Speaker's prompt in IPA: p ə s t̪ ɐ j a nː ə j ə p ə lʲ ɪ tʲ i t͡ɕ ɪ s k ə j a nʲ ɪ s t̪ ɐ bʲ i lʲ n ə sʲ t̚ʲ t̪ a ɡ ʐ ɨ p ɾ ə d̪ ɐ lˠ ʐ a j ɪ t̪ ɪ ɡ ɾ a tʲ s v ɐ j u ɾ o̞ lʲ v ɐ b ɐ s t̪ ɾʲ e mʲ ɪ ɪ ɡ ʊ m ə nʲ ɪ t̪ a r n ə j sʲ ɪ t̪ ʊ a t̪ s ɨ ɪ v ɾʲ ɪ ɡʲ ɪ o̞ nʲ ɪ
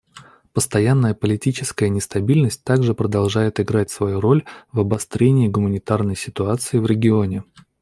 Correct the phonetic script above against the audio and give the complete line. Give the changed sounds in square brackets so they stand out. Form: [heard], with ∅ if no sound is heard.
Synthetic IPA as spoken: p ə s t̪ ɐ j a nː ə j ə p ə lʲ ɪ tʲ i t͡ɕ ɪ s k ə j [ə] nʲ ɪ s t̪ ɐ bʲ i lʲ n ə sʲ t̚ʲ t̪ a ɡ ʐ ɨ p ɾ ə d̪ ɐ lˠ ʐ a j ɪ t̪ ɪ ɡ ɾ a tʲ s v ɐ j u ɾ o̞ lʲ v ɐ b ɐ s t̪ ɾʲ e [nʲ] ɪ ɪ ɡ ʊ m ə nʲ ɪ t̪ a r n ə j sʲ ɪ t̪ ʊ a t̪ s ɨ ɪ v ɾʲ ɪ ɡʲ ɪ o̞ nʲ ɪ

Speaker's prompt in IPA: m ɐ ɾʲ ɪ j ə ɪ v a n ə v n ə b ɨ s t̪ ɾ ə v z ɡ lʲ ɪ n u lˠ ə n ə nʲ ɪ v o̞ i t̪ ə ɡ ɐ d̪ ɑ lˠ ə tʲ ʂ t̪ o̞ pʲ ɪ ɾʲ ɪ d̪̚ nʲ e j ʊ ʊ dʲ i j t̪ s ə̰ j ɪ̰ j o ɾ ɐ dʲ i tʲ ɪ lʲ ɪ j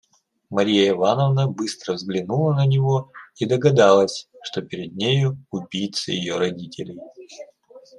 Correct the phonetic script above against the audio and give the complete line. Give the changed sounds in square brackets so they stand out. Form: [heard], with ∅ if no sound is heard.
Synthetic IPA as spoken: m ɐ ɾʲ [i] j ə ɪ v a n ə v n ə b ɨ s t̪ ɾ ə v z ɡ lʲ ɪ n u lˠ ə n ə nʲ ɪ v o̞ i [d̪] ə ɡ ɐ d̪ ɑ lˠ ə [sʲ] ʂ t̪ o̞ pʲ ɪ ɾʲ ɪ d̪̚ nʲ e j ʊ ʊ [bʲ] i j t̪ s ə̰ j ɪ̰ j o ɾ ɐ dʲ i tʲ ɪ lʲ ɪ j

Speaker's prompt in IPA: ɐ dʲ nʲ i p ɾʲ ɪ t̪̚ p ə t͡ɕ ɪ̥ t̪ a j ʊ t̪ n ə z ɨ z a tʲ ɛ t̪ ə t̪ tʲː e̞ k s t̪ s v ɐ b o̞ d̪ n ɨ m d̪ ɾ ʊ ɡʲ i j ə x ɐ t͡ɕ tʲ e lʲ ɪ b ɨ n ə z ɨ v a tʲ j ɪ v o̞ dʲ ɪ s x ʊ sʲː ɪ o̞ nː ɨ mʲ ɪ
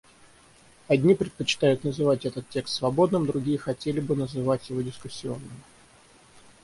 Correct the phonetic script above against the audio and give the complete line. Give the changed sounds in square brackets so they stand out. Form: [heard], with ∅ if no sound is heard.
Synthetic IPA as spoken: ɐ dʲ nʲ i p ɾʲ ɪ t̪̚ p ə t͡ɕ ɪ̥ t̪ a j ʊ t̪ n ə z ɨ [v] a tʲ ɛ t̪ ə t̪ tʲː e̞ k s t̪ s v ɐ b o̞ d̪ n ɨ m d̪ ɾ ʊ ɡʲ i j ə x ɐ [∅] tʲ e lʲ ɪ b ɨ n ə z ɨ v a tʲ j ɪ v o̞ dʲ ɪ s [k] ʊ sʲː ɪ o̞ nː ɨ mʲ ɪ

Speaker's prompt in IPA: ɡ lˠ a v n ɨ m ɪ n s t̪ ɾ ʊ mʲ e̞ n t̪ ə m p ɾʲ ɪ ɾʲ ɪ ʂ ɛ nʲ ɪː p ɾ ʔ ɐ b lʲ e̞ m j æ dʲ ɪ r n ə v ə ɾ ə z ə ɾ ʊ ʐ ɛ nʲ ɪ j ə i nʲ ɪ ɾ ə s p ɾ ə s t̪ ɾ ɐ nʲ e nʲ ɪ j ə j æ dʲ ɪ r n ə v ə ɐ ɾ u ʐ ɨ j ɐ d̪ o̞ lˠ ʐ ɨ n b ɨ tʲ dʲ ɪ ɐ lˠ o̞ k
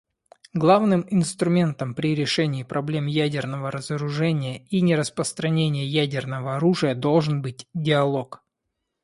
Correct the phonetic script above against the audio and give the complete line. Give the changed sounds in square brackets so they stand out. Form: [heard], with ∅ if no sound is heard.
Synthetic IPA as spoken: ɡ lˠ a v n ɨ m ɪ n s t̪ ɾ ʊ mʲ e̞ n t̪ ə m p ɾʲ ɪ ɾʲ ɪ ʂ ɛ nʲ ɪː p ɾ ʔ ɐ b lʲ e̞ m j æ dʲ ɪ r n ə v ə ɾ ə z ə ɾ ʊ ʐ ɛ nʲ ɪ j ə i nʲ ɪ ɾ ə s p ɾ ə s t̪ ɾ ɐ nʲ e nʲ ɪ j ə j æ dʲ ɪ r n ə v ə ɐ ɾ u ʐ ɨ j [ə] d̪ o̞ lˠ ʐ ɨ n b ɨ tʲ dʲ ɪ ɐ lˠ o̞ k

